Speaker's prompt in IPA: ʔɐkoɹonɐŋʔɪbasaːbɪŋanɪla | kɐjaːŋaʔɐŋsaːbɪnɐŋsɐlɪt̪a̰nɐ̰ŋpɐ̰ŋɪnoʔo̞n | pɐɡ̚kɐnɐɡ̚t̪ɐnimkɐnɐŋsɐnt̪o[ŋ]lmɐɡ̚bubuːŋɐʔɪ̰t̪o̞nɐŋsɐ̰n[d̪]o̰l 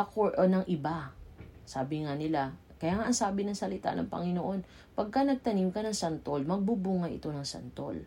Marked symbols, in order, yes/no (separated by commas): no, no